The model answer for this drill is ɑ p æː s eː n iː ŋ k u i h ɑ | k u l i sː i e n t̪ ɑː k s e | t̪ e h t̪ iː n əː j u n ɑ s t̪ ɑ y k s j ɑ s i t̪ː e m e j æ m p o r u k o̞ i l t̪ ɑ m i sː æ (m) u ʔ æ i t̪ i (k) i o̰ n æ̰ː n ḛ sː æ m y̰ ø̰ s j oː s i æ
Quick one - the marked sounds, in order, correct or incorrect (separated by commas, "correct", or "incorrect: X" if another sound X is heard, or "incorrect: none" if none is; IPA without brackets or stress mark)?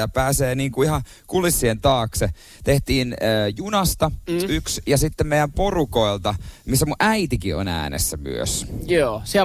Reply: correct, correct